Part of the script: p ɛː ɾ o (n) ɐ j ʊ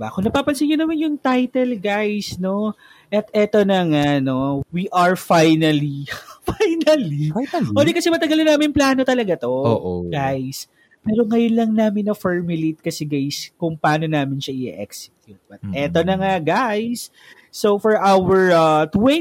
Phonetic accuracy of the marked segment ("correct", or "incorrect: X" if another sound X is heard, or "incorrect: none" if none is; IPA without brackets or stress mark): incorrect: ŋ